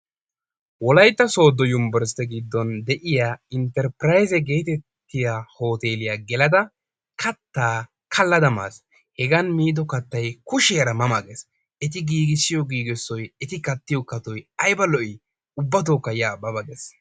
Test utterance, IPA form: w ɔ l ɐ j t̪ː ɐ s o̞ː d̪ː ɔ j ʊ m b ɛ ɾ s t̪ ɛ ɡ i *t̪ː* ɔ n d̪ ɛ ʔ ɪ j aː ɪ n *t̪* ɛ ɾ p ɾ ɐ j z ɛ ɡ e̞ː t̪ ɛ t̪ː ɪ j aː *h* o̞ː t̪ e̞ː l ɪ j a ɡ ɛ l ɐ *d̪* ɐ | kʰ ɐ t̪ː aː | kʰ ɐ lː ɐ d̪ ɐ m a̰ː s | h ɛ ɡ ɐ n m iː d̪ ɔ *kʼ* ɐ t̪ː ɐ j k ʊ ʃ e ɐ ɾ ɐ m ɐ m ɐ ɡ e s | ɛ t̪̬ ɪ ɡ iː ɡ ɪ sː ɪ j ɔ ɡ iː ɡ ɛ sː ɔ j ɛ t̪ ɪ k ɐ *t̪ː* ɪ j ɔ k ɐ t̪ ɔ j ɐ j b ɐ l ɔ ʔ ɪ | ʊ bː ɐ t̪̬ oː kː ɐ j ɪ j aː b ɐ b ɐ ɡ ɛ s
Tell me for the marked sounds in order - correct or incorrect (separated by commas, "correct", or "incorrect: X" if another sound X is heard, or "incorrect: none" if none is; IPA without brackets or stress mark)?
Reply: incorrect: d̪ː, correct, correct, correct, incorrect: k, correct